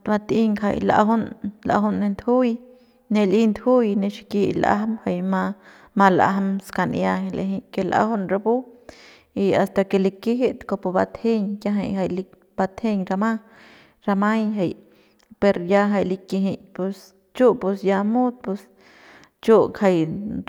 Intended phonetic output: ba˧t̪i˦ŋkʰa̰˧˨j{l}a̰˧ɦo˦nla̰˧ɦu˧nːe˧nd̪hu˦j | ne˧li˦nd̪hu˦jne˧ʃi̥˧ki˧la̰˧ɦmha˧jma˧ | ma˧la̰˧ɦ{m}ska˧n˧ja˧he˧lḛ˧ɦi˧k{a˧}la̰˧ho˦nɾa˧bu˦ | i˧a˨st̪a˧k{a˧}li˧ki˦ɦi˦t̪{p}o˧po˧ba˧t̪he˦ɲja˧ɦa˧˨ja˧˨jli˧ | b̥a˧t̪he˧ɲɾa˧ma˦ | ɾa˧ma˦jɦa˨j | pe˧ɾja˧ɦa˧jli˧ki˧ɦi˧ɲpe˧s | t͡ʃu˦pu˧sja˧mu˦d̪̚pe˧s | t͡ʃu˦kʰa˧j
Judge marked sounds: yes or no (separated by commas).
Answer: yes, yes, no, no, no